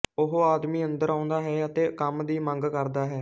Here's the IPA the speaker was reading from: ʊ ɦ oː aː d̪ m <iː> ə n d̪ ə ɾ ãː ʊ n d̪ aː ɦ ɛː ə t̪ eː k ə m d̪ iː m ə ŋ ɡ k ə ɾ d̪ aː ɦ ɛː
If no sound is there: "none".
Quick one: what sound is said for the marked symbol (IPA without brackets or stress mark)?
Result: iː